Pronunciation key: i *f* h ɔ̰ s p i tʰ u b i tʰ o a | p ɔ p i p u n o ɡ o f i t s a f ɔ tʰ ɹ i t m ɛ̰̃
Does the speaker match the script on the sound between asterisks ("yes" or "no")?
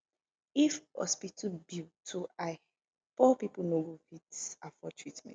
yes